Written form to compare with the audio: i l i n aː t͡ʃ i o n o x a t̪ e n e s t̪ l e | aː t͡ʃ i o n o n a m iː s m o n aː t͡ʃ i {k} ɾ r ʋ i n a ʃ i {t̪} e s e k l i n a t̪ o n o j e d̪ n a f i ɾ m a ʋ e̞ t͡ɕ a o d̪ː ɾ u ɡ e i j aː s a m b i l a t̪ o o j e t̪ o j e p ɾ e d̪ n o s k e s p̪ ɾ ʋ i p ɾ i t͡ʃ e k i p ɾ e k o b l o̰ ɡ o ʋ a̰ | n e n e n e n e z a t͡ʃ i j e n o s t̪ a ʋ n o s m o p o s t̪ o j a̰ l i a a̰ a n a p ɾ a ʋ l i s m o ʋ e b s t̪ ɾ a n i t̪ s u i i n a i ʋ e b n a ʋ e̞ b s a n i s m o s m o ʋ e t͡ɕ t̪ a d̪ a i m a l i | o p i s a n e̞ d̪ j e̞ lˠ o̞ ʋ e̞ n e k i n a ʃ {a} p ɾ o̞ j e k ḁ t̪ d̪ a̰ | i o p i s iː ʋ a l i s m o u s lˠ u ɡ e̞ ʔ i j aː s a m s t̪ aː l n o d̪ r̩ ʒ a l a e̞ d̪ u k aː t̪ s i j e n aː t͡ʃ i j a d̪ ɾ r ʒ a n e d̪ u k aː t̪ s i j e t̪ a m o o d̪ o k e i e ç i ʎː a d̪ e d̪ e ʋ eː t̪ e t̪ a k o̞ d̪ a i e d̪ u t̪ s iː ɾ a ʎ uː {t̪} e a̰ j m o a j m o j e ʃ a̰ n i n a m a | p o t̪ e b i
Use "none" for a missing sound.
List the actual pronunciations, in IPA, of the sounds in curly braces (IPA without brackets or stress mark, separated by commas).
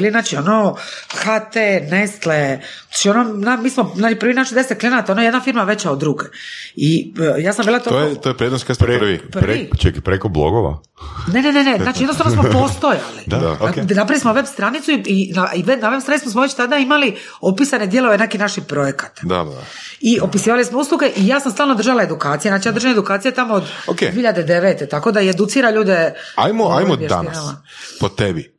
p, d̪, i, d̪